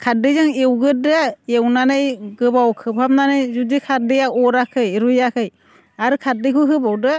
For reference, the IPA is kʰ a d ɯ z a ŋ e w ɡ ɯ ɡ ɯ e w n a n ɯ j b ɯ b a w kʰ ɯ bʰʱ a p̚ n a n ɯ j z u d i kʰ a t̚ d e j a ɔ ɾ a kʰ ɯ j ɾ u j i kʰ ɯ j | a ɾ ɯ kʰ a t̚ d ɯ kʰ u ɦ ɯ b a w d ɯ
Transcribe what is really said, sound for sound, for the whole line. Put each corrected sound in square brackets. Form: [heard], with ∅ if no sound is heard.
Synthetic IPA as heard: kʰ a d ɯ z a ŋ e w ɡ ɯ [d] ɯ e w n a n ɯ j [ɡ] ɯ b a w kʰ ɯ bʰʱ a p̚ n a n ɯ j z u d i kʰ a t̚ d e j a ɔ ɾ a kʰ ɯ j ɾ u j [a] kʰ ɯ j | a ɾ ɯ kʰ a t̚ d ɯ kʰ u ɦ ɯ b a w d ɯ

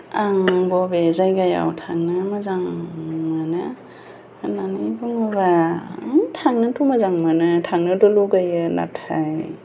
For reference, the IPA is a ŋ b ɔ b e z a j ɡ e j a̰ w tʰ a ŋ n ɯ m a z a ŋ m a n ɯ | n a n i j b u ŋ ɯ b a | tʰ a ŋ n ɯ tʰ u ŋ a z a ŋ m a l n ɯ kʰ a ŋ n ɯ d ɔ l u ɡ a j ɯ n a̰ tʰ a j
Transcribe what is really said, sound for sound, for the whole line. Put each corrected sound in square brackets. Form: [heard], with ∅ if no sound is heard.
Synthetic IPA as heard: a ŋ b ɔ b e z a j ɡ [a] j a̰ w tʰ a ŋ n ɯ m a z a ŋ m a n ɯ | n a n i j b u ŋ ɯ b a | tʰ a ŋ n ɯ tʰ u [m] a z a ŋ m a [∅] n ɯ [tʰ] a ŋ n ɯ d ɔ l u ɡ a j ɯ n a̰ tʰ a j

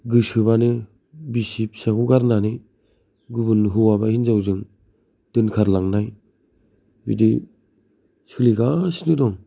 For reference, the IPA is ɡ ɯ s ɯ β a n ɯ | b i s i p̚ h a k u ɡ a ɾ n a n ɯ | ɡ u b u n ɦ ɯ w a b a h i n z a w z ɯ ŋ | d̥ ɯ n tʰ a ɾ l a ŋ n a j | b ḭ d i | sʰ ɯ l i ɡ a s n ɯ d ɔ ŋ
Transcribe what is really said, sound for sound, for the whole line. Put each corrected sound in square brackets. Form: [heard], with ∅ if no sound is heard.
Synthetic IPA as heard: ɡ ɯ s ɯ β a n ɯ | b i s i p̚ [s] a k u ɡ a ɾ n a n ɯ | ɡ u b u n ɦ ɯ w a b a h i n z a w z ɯ ŋ | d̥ ɯ n [kʰ] a ɾ l a ŋ n a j | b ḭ d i | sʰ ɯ l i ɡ a s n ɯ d ɔ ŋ

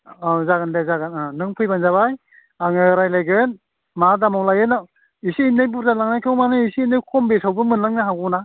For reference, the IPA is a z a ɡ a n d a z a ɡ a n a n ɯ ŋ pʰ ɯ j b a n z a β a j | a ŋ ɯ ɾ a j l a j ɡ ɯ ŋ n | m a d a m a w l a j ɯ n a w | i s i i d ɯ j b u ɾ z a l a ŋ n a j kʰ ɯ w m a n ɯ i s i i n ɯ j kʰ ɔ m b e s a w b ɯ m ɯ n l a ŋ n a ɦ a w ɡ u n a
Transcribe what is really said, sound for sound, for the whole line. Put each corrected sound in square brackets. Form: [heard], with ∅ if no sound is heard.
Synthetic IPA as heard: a z a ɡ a n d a z a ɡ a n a n ɯ ŋ pʰ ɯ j b a n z a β a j | a ŋ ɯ ɾ a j l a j ɡ ɯ [∅] n | m a d a m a w l a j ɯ n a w | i s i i [n] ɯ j b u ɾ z a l a ŋ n a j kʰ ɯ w m a n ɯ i s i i n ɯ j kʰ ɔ m b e s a w b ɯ m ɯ n l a ŋ n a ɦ a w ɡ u n a

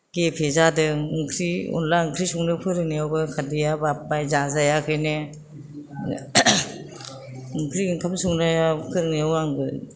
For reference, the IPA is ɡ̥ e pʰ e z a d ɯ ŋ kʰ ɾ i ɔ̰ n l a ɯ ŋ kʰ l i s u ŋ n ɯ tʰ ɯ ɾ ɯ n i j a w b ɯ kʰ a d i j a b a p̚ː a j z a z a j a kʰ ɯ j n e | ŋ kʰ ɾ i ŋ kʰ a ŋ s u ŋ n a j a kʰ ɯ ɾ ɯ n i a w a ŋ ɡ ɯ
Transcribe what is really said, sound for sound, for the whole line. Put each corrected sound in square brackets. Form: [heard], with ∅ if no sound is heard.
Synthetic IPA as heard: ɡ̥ e pʰ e z a d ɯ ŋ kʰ ɾ i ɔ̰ n l a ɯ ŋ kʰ [ɾ] i s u ŋ n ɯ [pʰ] ɯ ɾ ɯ n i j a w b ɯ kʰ a d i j a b a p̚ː a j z a z a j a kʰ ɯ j n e | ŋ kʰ ɾ i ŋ kʰ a [m] s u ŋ n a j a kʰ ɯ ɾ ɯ n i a w a ŋ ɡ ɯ

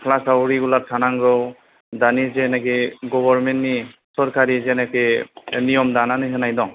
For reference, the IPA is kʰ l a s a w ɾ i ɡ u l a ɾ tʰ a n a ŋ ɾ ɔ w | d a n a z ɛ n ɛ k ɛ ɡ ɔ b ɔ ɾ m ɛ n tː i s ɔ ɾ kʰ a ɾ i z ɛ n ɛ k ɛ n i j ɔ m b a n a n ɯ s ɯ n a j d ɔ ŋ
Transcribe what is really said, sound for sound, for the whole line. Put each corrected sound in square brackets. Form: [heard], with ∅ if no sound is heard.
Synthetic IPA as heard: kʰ l a s a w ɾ i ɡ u l a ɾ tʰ a n a ŋ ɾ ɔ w | d a n [i] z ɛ n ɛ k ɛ ɡ ɔ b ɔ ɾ m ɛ n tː i s ɔ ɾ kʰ a ɾ i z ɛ n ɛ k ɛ n i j ɔ m [d] a n a n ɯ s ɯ n a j d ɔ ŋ

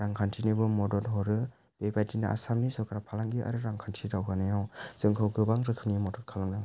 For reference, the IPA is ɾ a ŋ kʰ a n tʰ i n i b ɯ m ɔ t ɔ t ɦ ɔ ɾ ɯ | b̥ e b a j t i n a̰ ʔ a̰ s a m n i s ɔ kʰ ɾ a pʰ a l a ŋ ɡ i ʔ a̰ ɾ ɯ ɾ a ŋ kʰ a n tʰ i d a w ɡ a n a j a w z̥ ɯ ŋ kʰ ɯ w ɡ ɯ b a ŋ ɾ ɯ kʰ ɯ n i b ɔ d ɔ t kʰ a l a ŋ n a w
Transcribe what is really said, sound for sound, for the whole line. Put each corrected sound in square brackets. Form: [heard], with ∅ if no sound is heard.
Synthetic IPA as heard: ɾ a ŋ kʰ a n tʰ i n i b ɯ m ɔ [d] ɔ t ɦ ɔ ɾ ɯ | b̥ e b a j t i n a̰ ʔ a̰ s a m n i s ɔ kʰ ɾ a pʰ a l a ŋ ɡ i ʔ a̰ ɾ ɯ ɾ a ŋ kʰ a n tʰ i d a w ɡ a n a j a w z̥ ɯ ŋ kʰ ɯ w ɡ ɯ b a ŋ ɾ ɯ kʰ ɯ n i [m] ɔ d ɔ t kʰ a l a ŋ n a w

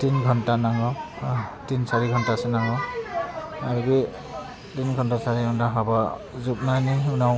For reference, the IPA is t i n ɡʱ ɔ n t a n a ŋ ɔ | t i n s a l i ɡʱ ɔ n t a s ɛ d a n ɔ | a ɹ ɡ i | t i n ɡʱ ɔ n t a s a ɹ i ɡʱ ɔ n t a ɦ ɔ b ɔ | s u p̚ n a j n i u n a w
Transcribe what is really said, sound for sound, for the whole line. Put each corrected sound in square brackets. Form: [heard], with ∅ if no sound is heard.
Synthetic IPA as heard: t i n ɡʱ ɔ n t a n a ŋ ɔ | t i n s a [ɹ] i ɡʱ ɔ n t a s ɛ [n] a [ŋ] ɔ | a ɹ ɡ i | t i n ɡʱ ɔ n t a s a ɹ i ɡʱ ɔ n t a ɦ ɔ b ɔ | [z] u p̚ n a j n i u n a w

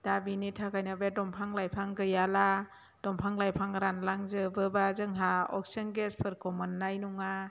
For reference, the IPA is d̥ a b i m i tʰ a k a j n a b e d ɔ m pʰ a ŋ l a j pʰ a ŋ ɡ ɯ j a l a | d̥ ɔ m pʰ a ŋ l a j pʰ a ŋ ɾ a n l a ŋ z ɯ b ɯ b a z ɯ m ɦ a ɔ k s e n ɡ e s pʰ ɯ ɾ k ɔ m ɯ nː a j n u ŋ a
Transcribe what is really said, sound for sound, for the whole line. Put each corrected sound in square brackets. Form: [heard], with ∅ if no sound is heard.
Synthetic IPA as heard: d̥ a b i [n] i tʰ a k a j n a b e d ɔ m pʰ a ŋ l a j pʰ a ŋ ɡ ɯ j a l a | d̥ ɔ m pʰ a ŋ l a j pʰ a ŋ ɾ a n l a ŋ z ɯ b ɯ b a z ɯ [ŋ] ɦ a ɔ k s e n ɡ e s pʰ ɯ ɾ k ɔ m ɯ nː a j n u ŋ a

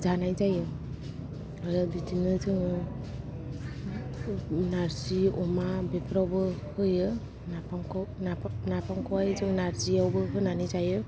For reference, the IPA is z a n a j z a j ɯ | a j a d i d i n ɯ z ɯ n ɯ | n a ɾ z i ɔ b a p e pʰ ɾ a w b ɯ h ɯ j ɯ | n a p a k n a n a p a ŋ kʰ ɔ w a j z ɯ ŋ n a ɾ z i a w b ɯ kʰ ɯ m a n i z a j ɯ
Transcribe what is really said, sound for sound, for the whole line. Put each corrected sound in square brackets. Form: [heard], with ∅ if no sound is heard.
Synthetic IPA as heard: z a n a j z a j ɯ | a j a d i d i n ɯ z ɯ [ŋ] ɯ | n a ɾ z i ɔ [m] a [b] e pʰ ɾ a w b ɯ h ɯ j ɯ | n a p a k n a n a p a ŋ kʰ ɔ w a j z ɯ ŋ n a ɾ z i a w b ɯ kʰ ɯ [n] a n i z a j ɯ

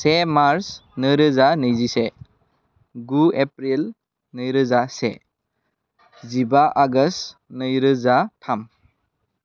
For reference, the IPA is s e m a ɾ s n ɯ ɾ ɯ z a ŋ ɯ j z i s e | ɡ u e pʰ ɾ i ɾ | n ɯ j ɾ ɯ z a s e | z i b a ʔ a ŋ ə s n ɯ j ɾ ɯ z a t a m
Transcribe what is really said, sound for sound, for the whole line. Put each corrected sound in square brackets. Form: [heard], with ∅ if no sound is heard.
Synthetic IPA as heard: s e m a ɾ s n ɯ ɾ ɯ z a [n] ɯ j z i s e | ɡ u e [p] ɾ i [l] | n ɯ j ɾ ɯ z a s e | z i b a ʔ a [ɡ] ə s n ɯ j ɾ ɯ z a [tʰ] a m

